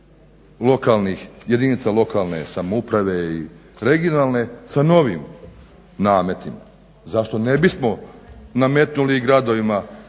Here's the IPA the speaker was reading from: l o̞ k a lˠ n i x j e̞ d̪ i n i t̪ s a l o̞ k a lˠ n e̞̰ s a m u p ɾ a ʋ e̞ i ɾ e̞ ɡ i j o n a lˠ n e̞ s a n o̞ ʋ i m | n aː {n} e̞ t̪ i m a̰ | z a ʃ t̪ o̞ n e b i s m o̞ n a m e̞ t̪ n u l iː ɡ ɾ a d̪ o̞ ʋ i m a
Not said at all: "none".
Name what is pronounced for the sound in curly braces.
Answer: m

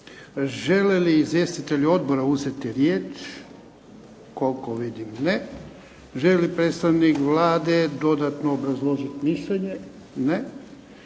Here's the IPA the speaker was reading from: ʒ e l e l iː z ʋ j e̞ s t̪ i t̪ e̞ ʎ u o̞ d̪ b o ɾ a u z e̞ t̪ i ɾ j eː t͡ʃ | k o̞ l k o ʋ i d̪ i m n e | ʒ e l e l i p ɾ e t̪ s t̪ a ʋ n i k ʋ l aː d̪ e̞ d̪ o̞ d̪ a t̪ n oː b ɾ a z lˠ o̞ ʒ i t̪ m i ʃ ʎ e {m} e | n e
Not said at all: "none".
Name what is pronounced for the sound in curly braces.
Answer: ɲ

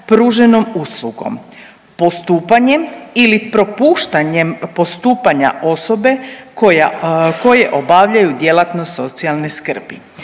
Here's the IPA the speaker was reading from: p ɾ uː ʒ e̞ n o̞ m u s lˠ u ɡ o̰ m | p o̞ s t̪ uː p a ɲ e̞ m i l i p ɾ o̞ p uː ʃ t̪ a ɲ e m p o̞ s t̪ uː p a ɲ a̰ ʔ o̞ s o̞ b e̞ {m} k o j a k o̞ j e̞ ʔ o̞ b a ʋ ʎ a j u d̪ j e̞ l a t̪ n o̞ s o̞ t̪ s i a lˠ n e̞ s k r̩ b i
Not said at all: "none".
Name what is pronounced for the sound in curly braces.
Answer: none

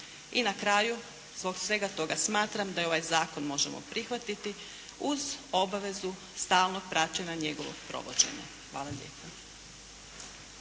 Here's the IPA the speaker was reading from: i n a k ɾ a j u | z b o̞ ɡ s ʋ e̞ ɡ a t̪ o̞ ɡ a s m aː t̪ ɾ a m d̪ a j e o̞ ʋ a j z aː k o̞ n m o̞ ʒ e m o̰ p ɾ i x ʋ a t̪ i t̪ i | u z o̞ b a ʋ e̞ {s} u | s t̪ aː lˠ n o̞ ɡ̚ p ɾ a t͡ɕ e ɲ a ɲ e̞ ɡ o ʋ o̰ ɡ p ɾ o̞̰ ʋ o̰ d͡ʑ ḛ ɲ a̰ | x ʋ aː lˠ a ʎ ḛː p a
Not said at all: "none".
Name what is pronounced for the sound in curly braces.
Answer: z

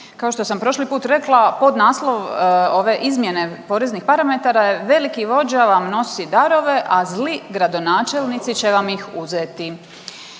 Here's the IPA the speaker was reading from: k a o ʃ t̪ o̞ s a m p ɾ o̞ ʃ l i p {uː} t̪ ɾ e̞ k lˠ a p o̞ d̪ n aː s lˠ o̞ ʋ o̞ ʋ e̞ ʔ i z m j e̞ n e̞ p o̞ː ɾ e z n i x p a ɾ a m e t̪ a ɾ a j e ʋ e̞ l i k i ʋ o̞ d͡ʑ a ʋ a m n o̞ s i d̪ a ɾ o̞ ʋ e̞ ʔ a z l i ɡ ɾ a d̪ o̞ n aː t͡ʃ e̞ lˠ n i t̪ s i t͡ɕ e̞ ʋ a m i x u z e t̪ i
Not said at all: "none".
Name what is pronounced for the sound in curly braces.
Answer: uː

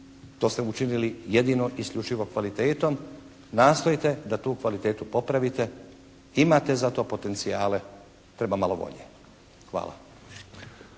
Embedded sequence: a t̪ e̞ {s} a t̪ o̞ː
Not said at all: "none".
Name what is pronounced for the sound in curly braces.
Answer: z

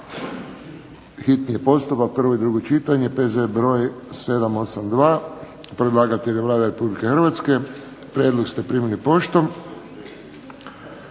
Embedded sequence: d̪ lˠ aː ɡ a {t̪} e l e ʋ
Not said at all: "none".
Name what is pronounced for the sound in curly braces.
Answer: t̪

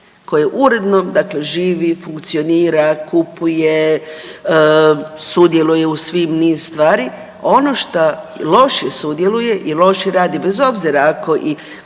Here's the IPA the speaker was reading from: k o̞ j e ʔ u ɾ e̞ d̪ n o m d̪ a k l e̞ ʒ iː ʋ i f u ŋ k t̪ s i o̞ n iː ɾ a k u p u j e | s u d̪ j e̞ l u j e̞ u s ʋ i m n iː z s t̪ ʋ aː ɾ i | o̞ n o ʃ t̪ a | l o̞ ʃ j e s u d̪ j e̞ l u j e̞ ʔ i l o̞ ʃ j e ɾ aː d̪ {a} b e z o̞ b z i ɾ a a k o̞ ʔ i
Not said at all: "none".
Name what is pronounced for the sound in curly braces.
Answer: i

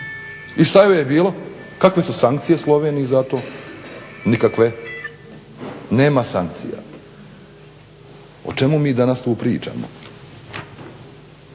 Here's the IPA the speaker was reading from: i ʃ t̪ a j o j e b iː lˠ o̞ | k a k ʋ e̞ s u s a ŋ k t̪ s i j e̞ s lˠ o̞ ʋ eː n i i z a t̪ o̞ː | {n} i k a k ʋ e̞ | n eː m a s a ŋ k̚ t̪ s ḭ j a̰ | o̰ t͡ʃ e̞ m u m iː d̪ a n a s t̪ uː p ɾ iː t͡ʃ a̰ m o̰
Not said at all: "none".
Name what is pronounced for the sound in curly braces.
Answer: n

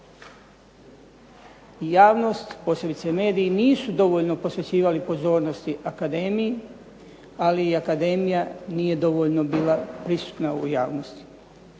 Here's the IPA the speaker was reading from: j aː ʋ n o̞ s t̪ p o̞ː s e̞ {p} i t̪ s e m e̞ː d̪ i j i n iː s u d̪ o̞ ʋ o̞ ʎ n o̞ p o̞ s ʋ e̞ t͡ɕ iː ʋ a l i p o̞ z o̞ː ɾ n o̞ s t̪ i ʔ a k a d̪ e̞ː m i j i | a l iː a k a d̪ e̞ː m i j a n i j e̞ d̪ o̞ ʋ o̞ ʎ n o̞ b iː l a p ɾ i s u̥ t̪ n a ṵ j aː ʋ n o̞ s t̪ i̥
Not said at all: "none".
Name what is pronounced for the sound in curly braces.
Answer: b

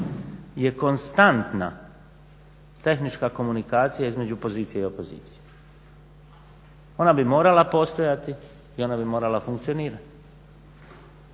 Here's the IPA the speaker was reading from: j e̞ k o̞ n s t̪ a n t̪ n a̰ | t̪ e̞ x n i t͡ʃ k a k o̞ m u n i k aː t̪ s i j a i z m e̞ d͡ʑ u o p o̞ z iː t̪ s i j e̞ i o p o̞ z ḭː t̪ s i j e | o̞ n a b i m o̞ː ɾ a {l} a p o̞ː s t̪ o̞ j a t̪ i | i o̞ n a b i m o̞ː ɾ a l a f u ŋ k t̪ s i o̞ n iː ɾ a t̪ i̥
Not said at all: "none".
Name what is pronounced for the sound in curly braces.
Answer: l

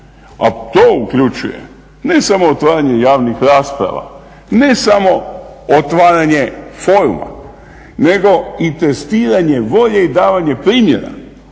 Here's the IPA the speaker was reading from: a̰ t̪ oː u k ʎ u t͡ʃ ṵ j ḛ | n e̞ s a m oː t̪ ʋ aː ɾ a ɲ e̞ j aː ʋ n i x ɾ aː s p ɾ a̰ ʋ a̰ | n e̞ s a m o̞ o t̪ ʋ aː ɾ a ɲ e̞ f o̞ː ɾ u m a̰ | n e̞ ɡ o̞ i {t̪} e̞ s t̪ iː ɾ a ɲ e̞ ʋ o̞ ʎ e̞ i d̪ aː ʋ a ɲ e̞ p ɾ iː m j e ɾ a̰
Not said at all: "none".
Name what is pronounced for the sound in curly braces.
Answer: t̪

